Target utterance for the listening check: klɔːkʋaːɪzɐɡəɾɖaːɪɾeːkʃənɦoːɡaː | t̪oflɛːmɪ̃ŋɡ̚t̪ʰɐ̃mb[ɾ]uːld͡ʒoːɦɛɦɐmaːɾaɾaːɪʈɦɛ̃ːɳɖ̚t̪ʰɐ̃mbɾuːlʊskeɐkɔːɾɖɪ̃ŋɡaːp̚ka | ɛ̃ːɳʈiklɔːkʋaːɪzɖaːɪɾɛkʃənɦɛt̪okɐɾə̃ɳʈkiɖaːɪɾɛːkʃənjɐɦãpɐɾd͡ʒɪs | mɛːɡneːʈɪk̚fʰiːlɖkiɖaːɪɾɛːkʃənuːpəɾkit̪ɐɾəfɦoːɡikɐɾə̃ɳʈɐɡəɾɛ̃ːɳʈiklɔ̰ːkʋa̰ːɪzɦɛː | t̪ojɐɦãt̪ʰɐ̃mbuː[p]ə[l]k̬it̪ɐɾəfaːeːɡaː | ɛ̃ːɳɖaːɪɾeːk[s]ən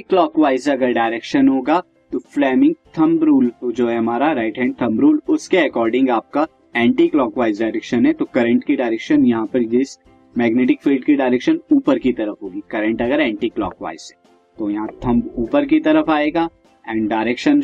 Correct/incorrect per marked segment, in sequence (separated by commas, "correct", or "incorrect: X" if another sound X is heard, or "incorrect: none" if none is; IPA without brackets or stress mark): correct, correct, incorrect: ɾ, incorrect: ʃ